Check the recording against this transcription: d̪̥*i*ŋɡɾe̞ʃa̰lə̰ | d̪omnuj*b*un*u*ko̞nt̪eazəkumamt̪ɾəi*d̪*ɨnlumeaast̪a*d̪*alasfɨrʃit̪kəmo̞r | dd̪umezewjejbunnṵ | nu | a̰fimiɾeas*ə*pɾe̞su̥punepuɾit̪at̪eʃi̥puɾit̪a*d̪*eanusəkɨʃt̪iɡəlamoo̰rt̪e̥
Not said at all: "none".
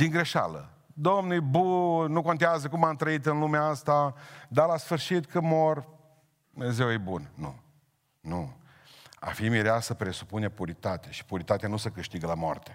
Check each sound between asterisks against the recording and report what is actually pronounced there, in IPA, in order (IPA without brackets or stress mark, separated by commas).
i, b, u, t̪, d̪, ə, t̪